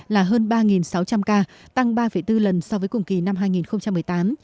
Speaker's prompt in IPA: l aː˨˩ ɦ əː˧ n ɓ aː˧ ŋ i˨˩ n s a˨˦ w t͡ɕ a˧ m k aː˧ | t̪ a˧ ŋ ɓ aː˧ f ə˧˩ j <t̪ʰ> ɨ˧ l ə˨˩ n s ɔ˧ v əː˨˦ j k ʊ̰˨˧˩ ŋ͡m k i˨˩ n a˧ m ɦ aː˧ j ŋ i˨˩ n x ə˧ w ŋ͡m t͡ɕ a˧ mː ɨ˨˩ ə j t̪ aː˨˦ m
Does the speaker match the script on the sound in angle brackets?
no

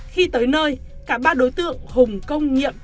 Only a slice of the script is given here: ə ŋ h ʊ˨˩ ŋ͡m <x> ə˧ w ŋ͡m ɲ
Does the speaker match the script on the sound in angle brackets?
no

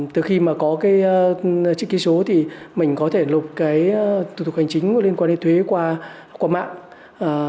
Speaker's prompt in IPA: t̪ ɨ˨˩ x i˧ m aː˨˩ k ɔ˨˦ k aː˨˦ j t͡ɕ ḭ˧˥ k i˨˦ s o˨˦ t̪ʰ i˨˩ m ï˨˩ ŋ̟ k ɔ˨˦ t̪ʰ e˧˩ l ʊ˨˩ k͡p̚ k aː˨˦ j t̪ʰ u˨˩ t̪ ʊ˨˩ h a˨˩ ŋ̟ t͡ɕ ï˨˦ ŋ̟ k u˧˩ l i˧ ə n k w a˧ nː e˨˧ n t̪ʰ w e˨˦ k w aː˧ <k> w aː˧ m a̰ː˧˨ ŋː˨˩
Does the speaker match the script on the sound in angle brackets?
yes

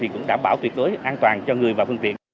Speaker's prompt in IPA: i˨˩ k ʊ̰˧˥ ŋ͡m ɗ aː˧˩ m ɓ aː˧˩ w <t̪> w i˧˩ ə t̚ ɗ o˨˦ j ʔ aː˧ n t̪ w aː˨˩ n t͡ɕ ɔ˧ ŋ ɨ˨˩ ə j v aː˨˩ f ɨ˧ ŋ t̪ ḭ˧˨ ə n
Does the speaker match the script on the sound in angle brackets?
yes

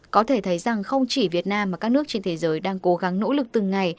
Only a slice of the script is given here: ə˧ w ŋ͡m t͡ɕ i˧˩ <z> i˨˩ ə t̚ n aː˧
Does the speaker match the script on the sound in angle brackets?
no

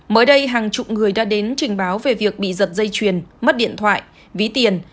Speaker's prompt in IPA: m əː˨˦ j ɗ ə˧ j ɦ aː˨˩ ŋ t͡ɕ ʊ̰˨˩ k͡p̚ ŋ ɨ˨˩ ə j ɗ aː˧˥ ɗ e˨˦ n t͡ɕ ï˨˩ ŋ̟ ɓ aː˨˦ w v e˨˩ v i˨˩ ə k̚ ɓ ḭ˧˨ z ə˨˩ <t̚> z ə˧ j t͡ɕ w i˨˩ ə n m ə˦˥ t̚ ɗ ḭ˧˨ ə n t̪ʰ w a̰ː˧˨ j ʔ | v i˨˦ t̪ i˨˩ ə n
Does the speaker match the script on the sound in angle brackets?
yes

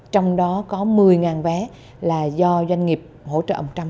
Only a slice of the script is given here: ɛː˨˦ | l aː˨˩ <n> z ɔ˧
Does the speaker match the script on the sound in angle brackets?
no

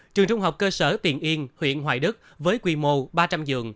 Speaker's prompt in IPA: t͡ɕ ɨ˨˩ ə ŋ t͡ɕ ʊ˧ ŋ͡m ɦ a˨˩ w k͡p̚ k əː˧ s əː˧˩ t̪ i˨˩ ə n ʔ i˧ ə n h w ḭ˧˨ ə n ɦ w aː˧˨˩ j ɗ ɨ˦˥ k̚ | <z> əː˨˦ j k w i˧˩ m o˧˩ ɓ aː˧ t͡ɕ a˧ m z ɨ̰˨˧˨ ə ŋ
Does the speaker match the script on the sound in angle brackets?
no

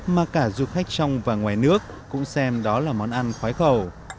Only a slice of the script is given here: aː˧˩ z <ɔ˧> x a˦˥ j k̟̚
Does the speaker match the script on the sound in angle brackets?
no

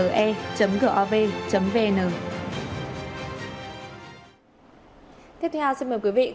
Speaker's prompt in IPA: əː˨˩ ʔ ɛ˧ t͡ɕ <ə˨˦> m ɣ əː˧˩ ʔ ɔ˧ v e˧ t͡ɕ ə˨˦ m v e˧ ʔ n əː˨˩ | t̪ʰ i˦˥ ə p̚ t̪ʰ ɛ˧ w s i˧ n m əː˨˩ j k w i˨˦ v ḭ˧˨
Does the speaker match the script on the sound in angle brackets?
yes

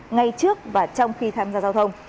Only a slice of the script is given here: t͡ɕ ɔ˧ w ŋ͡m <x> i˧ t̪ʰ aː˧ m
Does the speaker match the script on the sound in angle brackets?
yes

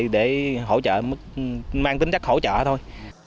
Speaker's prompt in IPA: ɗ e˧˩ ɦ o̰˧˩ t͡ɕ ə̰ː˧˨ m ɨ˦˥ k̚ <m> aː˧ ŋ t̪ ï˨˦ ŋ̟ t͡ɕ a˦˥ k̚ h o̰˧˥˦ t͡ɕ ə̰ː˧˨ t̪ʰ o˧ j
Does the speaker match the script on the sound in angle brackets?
yes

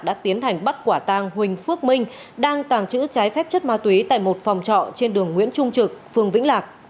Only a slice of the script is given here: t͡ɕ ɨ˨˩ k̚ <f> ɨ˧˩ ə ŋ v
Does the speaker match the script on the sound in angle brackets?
yes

